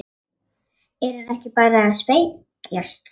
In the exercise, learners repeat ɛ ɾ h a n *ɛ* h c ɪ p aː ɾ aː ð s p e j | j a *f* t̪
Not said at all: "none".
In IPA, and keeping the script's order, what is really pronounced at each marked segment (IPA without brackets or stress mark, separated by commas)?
ɛ, s